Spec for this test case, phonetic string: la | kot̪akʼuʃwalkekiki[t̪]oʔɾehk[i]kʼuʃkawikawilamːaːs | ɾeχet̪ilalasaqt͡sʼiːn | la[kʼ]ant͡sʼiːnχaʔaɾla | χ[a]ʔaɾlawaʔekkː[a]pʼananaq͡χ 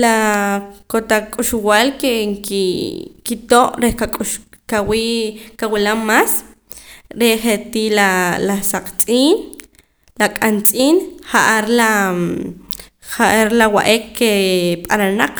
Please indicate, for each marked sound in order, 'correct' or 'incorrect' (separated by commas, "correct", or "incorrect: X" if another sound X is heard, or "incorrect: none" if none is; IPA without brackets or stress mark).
correct, incorrect: a, correct, correct, incorrect: e